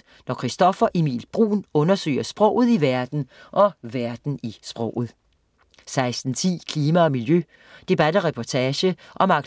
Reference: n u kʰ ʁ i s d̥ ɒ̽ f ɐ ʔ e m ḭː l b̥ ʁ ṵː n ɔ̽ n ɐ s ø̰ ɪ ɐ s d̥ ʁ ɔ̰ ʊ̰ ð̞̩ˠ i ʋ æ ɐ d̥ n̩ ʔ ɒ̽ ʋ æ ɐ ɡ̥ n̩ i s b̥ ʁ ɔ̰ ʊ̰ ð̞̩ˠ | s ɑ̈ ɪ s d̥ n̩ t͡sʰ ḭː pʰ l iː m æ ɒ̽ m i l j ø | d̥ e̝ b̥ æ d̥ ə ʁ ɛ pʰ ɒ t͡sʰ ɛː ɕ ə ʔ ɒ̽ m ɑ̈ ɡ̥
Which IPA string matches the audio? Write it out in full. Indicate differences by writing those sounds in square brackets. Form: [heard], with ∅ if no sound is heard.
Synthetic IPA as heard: n [ɒ] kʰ ʁ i s d̥ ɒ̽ f ɐ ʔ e m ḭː l b̥ ʁ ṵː n ɔ̽ n ɐ s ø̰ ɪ ɐ s [b̥] ʁ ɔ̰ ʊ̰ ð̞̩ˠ i ʋ æ ɐ d̥ n̩ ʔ ɒ̽ ʋ æ ɐ [d̥] n̩ i s b̥ ʁ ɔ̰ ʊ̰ ð̞̩ˠ | s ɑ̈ ɪ s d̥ n̩ t͡sʰ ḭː [kʰ] l iː m æ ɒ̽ m i l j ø | d̥ e̝ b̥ æ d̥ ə ʁ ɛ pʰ ɒ t͡sʰ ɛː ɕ ə ʔ ɒ̽ m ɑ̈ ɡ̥